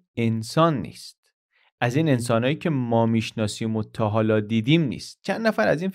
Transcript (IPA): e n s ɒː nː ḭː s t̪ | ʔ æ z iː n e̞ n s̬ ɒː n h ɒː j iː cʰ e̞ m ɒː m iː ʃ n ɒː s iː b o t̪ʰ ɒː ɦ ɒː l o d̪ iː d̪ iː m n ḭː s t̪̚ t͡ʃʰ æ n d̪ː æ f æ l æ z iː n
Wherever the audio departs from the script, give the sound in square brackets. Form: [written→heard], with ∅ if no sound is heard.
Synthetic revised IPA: e n s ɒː nː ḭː s t̪ | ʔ æ z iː n e̞ n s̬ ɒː n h ɒː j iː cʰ e̞ m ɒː m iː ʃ n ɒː s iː [b→m] o t̪ʰ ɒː ɦ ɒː l [o→ɒ] d̪ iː d̪ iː m n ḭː s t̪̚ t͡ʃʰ æ n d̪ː æ f æ [l→ɾ] æ z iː n